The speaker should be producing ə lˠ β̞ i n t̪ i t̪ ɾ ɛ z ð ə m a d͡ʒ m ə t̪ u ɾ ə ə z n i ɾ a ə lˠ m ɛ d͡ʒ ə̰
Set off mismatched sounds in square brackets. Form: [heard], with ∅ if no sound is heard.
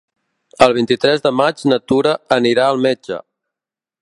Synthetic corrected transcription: ə lˠ β̞ i n t̪ i t̪ ɾ ɛ z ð ə m a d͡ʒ [n] ə t̪ u ɾ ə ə [∅] n i ɾ a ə lˠ m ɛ d͡ʒ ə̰